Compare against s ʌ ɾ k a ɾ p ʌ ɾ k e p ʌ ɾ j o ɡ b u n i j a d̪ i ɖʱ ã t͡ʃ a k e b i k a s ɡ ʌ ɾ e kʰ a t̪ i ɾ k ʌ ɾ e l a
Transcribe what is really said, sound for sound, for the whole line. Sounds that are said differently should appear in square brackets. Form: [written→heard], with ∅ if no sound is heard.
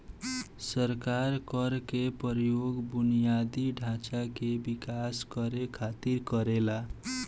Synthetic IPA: s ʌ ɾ k a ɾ [p→k] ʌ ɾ k e p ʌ ɾ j o ɡ b u n i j a d̪ i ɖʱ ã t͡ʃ a k e b i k a s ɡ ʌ ɾ e kʰ a t̪ i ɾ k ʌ ɾ e l a